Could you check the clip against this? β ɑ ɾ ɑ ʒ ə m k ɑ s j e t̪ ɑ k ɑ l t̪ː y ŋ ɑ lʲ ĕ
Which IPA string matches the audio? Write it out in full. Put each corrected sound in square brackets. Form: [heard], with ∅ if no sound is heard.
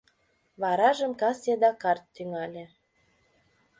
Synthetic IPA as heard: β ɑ ɾ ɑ ʒ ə m k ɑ s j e [d̪] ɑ k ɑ [r] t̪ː y ŋ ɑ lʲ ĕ